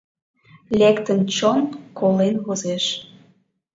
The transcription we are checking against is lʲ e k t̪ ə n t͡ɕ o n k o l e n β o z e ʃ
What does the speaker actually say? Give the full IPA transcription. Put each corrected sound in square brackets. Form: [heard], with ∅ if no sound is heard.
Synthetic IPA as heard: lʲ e k t̪ ə n t͡ɕ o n k o l e n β o z e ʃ